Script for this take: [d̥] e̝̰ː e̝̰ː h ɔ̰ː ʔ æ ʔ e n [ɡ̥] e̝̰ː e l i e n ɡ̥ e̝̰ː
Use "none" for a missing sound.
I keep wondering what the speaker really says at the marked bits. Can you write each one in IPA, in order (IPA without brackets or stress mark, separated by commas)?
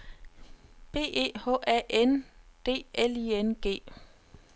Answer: b̥, d̥